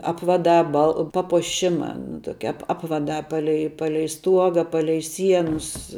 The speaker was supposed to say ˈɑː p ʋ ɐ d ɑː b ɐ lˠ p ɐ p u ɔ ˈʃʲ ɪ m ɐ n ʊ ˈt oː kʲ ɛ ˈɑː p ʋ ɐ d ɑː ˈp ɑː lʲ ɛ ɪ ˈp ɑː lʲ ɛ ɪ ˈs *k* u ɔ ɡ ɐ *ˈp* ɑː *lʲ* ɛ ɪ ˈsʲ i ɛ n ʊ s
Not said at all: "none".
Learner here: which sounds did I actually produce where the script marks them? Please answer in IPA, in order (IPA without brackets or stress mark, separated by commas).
t, p, lʲ